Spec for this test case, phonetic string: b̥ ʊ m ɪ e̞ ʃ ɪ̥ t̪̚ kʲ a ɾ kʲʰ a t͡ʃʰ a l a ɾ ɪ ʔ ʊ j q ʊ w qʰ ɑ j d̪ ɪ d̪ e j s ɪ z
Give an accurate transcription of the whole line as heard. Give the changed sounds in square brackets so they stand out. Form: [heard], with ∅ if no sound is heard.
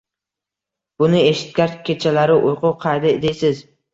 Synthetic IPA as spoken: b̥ ʊ [n] ɪ e̞ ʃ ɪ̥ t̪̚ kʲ a ɾ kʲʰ [e] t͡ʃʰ a l a ɾ ɪ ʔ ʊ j q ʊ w qʰ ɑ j d̪ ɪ d̪ e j s ɪ z